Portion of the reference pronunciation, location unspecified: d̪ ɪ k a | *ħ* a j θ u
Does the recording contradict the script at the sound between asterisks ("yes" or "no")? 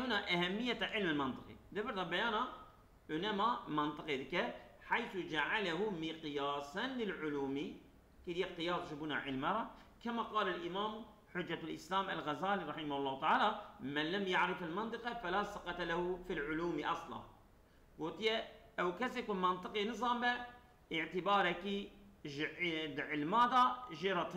no